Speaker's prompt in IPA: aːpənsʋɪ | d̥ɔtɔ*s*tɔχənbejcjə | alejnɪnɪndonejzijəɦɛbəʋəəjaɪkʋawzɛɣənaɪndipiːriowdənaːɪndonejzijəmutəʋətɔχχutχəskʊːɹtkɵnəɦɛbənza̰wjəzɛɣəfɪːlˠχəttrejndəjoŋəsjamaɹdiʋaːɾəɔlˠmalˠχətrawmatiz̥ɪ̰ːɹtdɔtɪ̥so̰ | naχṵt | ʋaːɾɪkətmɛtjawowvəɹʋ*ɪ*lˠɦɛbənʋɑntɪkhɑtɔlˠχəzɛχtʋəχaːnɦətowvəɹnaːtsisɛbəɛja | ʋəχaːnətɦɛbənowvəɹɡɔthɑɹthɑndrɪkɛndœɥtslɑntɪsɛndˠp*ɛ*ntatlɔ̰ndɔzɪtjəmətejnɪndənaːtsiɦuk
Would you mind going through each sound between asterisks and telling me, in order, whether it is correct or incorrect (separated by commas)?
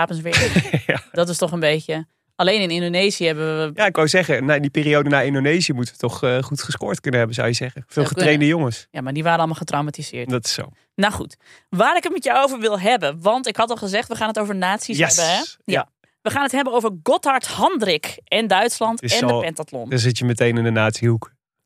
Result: correct, correct, correct